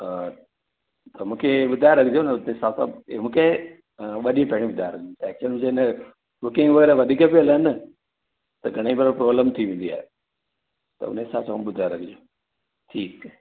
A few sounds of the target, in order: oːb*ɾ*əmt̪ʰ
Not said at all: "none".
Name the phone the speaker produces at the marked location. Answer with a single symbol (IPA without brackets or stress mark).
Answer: l